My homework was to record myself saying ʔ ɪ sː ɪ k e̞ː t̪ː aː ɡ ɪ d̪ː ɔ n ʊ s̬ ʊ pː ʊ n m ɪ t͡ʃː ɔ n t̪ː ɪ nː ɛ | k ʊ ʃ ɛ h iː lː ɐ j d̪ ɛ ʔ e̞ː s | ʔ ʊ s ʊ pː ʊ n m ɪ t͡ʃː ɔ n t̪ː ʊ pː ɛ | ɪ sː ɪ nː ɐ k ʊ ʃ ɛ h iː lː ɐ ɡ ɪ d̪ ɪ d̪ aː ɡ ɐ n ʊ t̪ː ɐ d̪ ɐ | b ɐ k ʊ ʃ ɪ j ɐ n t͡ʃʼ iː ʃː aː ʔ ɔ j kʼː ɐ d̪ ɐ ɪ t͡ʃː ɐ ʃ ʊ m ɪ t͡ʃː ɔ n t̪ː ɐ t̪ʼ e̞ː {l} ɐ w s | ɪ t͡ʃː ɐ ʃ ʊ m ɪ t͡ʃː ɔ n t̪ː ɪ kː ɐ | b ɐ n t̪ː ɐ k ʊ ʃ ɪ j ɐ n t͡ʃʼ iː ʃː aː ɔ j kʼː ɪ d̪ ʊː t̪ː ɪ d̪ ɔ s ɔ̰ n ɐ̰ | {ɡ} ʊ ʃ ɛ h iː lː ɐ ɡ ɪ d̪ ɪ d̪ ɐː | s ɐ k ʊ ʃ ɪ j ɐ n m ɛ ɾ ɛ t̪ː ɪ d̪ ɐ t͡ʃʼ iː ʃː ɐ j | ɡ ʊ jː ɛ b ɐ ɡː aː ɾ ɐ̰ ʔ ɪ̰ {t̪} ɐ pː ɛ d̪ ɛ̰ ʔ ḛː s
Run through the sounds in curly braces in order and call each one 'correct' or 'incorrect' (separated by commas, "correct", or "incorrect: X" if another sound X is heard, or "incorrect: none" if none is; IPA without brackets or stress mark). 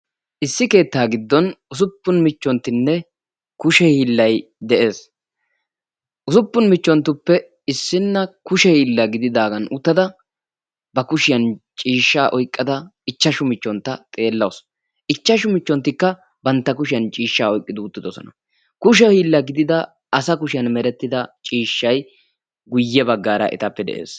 incorrect: lː, incorrect: k, correct